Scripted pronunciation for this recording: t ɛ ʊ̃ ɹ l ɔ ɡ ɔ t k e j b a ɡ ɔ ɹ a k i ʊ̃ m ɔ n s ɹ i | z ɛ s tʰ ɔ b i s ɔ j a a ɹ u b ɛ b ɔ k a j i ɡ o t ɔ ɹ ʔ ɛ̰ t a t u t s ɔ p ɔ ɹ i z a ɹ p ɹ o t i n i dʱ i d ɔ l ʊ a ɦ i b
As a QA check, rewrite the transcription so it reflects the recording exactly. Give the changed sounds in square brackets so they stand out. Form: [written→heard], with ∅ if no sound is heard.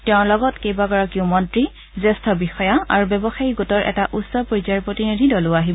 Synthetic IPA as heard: t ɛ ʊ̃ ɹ l ɔ ɡ ɔ t k e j b a ɡ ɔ ɹ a k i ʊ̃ m ɔ n [s→t] ɹ i | z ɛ s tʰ ɔ b i [s→x] ɔ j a a ɹ u b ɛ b ɔ [k→x] a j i ɡ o t ɔ ɹ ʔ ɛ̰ t a [t→ʔ] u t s ɔ p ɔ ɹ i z a ɹ p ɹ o t i n i dʱ i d ɔ l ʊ a ɦ i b